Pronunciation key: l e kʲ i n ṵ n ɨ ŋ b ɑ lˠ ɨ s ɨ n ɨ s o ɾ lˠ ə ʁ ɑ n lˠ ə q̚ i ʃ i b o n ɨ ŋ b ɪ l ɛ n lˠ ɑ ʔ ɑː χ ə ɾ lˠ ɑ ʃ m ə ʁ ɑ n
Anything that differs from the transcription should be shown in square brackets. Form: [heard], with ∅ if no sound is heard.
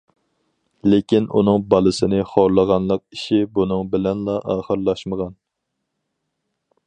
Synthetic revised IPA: l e kʲ i n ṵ n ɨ ŋ b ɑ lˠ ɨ s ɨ n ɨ [χ] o ɾ lˠ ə ʁ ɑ n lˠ ə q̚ i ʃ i b [u] n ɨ ŋ b ɪ l ɛ n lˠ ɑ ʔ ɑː χ ə ɾ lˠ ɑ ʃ m ə ʁ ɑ n